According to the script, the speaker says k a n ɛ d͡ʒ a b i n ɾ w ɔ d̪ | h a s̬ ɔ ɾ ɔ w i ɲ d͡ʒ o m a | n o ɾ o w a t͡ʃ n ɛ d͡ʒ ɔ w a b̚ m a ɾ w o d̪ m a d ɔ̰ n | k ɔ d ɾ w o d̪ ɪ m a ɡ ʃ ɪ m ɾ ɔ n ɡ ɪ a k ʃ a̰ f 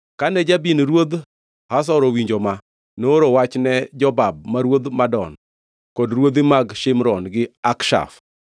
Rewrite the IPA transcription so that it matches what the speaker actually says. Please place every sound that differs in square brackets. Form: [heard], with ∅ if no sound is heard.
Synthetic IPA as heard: k a n ɛ d͡ʒ a b i n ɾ w [o] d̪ | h a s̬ ɔ ɾ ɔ w i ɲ d͡ʒ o m a | n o ɾ o w a t͡ʃ n ɛ d͡ʒ ɔ [b] a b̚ m a ɾ w o d̪ m a d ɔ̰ n | k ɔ d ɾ w o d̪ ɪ m a ɡ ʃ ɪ m ɾ ɔ n ɡ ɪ a k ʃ a̰ f